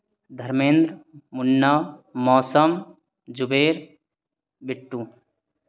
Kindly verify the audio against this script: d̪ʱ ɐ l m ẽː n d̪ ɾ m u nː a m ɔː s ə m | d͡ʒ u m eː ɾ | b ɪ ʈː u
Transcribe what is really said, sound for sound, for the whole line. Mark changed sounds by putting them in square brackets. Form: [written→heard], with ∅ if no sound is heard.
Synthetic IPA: d̪ʱ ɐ [l→ɾ] m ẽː n d̪ ɾ m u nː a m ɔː s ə m | d͡ʒ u [m→b] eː ɾ | b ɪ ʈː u

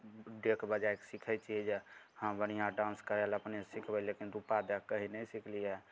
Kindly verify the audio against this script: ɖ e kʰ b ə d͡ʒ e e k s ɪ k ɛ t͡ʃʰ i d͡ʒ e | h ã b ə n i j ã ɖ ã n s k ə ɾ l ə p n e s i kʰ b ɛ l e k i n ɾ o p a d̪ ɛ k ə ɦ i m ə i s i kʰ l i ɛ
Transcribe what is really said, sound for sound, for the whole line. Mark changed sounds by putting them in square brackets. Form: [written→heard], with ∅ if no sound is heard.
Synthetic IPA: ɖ e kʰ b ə d͡ʒ [e→a] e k s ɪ [k→kʰ] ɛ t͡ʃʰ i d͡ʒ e | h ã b ə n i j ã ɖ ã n s k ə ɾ l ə p n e s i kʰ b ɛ l e k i n ɾ [o→u] p a d̪ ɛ k ə ɦ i [m→n] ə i s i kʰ l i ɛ

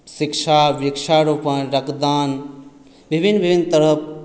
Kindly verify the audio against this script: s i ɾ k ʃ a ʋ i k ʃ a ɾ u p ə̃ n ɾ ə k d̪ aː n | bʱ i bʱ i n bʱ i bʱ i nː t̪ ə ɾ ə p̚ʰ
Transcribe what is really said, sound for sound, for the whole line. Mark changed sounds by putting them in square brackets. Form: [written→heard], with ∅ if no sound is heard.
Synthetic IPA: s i [ɾ→∅] k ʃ a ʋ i k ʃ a ɾ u p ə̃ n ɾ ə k d̪ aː n | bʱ i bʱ i n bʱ i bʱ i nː t̪ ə ɾ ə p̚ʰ

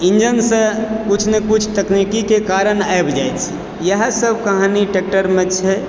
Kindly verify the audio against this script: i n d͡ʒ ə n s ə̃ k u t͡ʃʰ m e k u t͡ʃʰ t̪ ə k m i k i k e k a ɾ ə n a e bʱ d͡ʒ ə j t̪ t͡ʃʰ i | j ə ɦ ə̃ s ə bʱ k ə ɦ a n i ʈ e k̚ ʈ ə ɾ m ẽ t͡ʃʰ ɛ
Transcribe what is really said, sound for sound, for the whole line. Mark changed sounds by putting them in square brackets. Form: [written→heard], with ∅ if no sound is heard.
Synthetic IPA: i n d͡ʒ ə n s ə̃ k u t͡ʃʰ [m→n] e k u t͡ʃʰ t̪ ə k [m→n] i k i k e k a ɾ ə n a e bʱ d͡ʒ [ə→a] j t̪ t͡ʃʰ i | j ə ɦ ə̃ s ə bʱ k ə ɦ a n i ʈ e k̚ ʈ ə ɾ m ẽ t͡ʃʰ ɛ

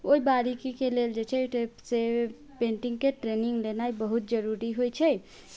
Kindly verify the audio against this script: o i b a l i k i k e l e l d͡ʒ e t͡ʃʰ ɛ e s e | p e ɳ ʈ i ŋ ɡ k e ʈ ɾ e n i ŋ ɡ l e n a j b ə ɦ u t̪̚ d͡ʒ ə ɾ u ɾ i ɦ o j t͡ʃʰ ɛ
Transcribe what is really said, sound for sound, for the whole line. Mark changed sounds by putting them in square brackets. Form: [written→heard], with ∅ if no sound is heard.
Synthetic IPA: o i b a [l→ɾ] i k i k e l e l d͡ʒ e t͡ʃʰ ɛ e s e | p e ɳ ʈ i ŋ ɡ k e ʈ ɾ e n i ŋ ɡ l e n a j b ə ɦ u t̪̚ d͡ʒ ə ɾ u ɾ i ɦ o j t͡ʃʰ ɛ

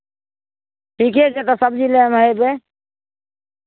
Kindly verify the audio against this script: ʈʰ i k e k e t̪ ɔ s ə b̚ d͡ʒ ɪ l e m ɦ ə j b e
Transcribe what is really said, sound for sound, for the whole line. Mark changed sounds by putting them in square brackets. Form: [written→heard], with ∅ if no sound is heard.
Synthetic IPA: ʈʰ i k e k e t̪ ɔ s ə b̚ d͡ʒ [ɪ→i] l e m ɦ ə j b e

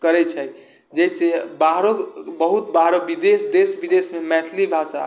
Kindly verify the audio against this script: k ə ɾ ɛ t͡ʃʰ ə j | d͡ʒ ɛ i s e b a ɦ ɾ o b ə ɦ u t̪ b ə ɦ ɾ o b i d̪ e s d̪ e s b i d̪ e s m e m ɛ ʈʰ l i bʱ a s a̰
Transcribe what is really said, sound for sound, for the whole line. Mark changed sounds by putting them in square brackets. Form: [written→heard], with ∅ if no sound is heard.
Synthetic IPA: k ə ɾ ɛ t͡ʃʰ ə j | d͡ʒ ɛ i s e b a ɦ ɾ o b ə ɦ u t̪ b [ə→a] ɦ ɾ o b i d̪ e s d̪ e s b i d̪ e s m e m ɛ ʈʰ l i bʱ a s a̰

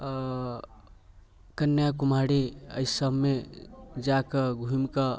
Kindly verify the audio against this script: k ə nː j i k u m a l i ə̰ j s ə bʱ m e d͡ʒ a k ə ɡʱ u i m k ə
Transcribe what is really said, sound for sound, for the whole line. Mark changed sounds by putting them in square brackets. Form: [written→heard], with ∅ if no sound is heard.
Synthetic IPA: k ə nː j [i→a] k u m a [l→ɽ] i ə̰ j s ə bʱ m e d͡ʒ a k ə ɡʱ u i m k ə

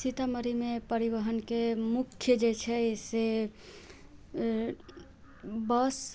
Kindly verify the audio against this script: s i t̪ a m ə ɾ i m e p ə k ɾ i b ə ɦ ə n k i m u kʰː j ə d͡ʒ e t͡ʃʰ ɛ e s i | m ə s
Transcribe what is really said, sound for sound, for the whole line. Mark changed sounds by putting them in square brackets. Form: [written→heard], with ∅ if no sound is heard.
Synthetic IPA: s i t̪ a m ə ɾ i m e p ə [k→∅] ɾ i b ə ɦ ə n k [i→e] m u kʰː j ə d͡ʒ e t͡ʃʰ ɛ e s [i→e] | [m→b] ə s

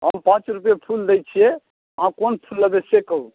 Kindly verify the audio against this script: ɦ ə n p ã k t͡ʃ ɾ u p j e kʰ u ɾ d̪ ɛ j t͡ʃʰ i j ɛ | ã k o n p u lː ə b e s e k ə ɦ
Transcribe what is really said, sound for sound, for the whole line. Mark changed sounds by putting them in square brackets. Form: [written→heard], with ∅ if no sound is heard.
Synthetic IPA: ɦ ə [n→m] p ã [k→∅] t͡ʃ ɾ u p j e [kʰ→pʰ] u [ɾ→l] d̪ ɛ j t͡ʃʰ i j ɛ | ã k o n [p→pʰ] u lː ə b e s e k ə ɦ

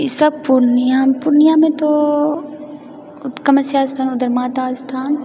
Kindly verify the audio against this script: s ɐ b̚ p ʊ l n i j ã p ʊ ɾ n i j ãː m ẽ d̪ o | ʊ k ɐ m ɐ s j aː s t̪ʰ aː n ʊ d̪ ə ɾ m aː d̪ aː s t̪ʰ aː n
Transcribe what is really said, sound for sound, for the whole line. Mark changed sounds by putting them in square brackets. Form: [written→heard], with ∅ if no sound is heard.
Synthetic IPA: s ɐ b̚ p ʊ [l→ɾ] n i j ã p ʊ ɾ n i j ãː m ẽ [d̪→t̪] o | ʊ k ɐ m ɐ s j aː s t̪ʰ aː n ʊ d̪ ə ɾ m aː [d̪→t̪] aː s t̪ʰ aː n

